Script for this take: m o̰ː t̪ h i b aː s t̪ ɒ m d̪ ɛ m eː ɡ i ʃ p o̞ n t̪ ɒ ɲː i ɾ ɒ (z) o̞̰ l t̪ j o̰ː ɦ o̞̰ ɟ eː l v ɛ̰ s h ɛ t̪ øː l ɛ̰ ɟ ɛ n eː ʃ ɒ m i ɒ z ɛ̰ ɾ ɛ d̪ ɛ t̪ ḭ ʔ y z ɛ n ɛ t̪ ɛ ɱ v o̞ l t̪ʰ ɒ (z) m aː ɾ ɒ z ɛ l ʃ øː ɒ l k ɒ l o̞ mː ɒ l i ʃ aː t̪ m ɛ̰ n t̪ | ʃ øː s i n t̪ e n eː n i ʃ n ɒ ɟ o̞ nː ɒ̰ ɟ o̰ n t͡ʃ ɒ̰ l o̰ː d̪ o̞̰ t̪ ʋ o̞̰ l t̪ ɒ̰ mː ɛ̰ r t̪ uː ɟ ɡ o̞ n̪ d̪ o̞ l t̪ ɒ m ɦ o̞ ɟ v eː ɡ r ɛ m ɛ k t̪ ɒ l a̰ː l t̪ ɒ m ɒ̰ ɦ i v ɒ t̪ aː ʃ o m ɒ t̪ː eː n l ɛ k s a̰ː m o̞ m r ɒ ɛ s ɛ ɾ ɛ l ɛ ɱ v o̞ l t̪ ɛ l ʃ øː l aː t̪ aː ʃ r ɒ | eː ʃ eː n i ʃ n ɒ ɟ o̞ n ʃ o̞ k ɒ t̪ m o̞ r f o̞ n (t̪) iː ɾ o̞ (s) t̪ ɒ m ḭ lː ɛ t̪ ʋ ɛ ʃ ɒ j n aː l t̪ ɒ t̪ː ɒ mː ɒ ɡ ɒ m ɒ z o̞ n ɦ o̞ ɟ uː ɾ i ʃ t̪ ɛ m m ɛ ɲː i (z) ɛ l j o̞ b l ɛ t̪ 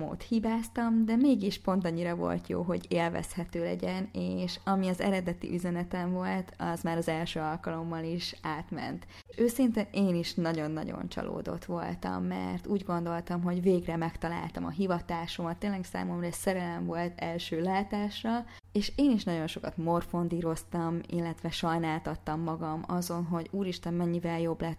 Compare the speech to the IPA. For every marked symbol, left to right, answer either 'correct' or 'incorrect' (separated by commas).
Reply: incorrect, correct, incorrect, correct, incorrect